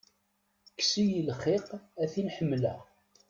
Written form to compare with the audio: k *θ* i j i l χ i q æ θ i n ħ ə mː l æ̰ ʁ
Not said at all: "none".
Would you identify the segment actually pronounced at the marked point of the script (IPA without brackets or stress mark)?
s